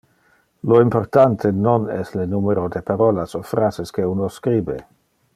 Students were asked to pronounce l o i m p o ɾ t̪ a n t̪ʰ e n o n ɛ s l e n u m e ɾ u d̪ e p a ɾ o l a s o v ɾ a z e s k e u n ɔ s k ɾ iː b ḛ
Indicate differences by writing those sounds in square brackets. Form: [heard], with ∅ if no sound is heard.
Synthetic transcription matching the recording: l o i m p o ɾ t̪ a n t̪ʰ e n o n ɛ s l e n u m e ɾ [o] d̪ e p a ɾ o l a s o [f] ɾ a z e s k e u n [o] s k ɾ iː b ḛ